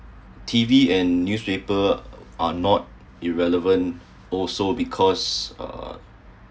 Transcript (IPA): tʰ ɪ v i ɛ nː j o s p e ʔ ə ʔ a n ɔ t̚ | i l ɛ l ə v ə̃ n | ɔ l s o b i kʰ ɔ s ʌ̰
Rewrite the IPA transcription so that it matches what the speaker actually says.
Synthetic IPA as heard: tʰ i v i ɛ̃ nː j u s p e p ə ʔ a n ɔ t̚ | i ɹ ɛ l ə v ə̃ n | ɔ l s o b i kʰ ɔ s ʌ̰